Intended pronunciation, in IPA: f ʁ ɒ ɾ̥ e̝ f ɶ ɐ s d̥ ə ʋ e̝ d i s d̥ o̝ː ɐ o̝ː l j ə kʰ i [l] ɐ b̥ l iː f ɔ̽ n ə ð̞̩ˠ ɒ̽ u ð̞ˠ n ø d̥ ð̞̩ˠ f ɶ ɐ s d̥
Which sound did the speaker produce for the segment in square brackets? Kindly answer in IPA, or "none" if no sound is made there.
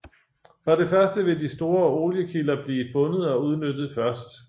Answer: l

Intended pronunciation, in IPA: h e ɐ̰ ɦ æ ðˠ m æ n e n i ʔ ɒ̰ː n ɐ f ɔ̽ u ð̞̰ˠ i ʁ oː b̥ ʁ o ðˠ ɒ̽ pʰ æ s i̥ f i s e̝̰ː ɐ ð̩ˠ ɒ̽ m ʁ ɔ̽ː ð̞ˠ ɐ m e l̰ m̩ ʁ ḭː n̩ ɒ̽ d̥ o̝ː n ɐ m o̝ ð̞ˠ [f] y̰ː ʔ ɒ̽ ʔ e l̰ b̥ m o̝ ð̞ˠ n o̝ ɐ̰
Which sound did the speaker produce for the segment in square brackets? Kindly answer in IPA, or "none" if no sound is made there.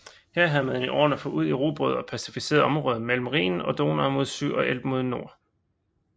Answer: s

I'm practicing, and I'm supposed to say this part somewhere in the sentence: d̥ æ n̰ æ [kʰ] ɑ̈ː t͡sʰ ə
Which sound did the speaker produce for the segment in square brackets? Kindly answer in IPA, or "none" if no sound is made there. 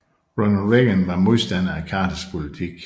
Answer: kʰ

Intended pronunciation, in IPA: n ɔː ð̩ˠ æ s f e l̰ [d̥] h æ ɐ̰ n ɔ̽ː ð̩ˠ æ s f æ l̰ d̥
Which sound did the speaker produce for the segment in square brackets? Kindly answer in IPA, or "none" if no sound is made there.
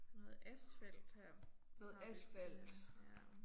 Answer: d̥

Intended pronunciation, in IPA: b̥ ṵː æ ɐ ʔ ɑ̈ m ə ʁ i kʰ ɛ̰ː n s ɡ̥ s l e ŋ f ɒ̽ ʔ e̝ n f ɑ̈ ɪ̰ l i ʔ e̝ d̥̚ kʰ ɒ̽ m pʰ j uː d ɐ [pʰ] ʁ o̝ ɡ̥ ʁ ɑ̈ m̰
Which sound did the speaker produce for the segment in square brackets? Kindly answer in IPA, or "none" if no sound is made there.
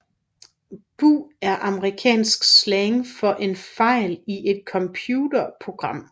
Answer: pʰ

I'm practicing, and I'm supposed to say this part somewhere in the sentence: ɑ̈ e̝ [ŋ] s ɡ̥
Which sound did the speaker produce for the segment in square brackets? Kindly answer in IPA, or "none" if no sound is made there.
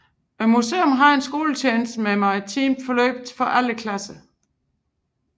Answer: n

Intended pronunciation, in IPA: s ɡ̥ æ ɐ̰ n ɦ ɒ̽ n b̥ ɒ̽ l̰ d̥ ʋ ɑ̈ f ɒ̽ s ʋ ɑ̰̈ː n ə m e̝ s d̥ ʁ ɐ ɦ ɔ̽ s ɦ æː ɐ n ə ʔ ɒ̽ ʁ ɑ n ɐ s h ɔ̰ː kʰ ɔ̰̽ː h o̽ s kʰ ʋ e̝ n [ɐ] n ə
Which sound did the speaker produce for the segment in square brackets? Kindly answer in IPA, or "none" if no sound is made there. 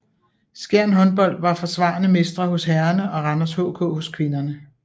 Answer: ɐ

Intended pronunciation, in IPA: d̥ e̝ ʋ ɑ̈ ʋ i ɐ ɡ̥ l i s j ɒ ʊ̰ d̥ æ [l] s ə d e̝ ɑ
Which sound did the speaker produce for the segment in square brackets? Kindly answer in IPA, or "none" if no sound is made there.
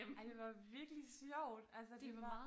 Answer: l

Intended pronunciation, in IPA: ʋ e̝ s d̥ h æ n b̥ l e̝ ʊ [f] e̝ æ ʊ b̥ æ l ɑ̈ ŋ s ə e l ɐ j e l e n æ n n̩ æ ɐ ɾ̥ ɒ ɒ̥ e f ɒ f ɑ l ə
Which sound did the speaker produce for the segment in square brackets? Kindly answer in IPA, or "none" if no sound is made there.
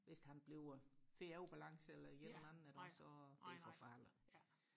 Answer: f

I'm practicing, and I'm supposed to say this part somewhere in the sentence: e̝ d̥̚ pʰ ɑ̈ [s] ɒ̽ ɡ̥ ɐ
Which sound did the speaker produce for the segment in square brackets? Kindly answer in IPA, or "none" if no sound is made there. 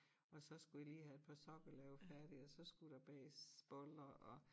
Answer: s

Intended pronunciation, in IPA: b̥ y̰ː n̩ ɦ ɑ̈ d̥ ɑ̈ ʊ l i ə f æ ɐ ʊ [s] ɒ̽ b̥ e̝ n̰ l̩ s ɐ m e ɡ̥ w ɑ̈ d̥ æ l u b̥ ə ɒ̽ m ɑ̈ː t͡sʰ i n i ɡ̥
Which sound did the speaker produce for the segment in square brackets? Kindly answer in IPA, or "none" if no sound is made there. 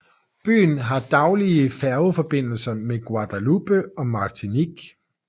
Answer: f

